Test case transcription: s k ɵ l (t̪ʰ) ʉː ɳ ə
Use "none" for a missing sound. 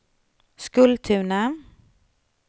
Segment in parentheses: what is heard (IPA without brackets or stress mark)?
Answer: t̪ʰ